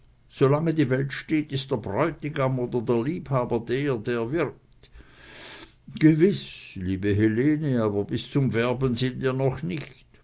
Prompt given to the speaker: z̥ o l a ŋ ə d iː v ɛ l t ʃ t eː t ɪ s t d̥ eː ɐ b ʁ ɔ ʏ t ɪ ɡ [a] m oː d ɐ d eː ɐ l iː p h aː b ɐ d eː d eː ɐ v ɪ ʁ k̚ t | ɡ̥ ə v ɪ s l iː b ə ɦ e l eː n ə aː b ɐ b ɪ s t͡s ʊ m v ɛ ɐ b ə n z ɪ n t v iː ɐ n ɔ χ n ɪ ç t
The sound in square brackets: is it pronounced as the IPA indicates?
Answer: yes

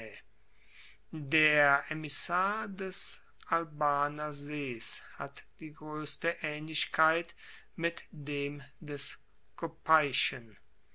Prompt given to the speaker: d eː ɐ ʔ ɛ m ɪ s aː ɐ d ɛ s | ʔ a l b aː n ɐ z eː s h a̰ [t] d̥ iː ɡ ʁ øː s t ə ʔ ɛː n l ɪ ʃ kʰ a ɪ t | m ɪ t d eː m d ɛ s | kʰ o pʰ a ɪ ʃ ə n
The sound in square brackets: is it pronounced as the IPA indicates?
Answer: yes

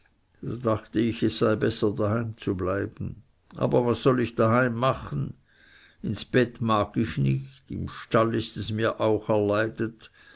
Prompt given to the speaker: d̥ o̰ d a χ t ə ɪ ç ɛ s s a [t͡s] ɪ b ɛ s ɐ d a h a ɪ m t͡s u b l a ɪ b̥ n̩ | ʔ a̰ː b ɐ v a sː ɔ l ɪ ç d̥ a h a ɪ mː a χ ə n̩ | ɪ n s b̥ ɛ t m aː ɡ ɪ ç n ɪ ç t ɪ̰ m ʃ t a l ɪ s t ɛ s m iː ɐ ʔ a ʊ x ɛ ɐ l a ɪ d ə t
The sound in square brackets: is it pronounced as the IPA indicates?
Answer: no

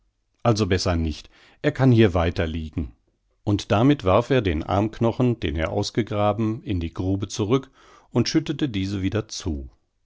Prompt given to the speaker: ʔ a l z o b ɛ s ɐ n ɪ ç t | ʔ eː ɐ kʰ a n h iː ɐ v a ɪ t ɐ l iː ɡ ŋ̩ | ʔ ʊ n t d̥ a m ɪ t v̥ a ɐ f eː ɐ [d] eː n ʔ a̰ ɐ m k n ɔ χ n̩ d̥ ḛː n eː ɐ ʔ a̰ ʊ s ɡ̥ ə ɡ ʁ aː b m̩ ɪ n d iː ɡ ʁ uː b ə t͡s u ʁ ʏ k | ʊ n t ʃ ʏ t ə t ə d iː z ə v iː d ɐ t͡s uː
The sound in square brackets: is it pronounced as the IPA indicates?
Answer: yes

